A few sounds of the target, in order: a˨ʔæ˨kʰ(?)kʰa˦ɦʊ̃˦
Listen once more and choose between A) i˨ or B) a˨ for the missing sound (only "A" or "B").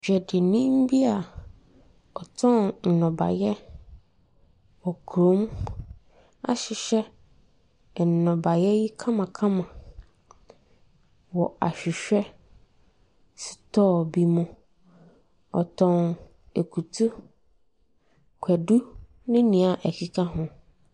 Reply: A